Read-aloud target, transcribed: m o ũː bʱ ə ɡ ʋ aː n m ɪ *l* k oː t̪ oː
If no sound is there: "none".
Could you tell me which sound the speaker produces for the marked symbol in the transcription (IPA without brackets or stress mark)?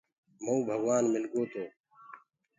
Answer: l